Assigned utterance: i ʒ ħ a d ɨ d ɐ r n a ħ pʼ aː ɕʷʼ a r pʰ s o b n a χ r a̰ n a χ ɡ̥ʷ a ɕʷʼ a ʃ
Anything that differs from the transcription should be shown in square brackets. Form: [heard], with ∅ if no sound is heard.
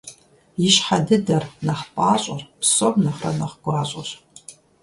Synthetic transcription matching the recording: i [ʃ] ħ a d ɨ d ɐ r n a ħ pʼ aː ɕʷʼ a r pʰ s o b n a χ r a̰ n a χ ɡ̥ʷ a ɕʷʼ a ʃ